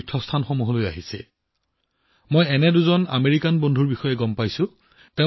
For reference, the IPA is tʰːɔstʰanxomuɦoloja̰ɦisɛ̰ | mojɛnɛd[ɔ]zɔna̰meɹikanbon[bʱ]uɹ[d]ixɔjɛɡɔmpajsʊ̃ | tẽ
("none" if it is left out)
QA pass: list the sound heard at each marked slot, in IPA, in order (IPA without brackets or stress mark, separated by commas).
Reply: u, dʱ, b